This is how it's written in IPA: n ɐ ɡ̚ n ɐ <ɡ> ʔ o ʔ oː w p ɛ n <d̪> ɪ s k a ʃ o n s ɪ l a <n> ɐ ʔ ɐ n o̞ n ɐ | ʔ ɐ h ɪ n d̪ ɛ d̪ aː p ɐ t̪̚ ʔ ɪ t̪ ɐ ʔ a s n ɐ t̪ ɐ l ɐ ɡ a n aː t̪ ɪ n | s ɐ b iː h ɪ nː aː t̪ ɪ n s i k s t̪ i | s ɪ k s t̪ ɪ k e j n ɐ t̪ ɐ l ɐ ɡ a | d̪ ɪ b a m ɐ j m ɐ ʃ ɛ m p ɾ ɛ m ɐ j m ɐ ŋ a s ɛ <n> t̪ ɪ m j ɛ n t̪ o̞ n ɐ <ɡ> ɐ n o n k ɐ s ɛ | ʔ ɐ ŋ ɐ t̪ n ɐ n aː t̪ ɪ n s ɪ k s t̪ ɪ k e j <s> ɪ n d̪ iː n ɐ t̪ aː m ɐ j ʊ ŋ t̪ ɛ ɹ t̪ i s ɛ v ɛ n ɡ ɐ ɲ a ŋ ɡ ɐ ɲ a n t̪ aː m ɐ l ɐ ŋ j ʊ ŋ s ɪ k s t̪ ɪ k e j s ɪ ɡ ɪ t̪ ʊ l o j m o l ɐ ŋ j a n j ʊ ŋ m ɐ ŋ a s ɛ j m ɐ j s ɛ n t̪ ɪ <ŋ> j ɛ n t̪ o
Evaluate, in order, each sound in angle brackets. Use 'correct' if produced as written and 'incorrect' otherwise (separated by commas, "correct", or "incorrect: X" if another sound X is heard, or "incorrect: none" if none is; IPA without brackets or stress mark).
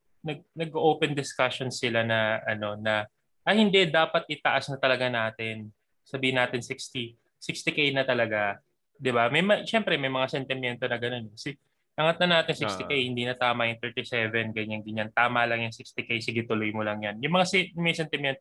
correct, correct, correct, correct, correct, incorrect: h, incorrect: m